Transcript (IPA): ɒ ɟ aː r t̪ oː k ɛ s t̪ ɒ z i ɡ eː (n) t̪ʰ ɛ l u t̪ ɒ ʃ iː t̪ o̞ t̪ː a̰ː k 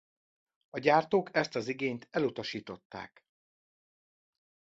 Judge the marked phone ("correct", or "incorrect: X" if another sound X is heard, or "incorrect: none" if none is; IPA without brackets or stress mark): incorrect: ɲ